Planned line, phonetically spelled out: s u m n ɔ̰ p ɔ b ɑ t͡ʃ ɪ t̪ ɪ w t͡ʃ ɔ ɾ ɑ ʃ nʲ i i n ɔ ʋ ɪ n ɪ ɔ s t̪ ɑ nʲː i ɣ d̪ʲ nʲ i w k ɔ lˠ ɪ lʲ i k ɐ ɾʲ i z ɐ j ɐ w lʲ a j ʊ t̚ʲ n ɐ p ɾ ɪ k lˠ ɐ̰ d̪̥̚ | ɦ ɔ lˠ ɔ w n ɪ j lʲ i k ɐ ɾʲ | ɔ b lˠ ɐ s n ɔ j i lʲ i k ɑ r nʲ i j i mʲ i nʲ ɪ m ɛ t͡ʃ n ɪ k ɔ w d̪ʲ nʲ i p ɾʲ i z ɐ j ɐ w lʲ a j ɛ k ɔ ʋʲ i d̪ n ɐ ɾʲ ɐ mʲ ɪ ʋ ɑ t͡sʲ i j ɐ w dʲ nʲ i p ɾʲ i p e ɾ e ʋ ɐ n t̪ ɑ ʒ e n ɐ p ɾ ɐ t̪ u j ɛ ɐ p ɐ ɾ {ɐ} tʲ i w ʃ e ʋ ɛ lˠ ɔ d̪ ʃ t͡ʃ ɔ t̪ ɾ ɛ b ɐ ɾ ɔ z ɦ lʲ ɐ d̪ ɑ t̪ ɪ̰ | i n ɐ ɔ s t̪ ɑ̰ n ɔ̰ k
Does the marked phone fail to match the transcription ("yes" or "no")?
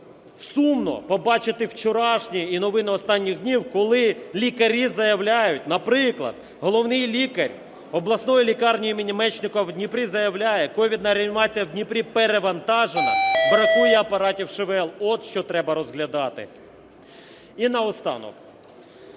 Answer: yes